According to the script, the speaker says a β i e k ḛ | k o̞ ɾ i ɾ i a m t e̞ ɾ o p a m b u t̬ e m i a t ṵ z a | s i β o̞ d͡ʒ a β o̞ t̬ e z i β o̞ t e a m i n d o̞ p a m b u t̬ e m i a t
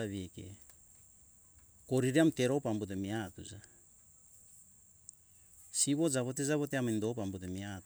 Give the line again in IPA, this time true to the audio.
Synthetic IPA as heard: a β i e k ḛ | k o̞ ɾ i ɾ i a m t e̞ ɾ o p a m b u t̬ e m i a t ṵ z a | s i β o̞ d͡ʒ a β o̞ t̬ e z a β o̞ t e a m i n d o̞ p a m b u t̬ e m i a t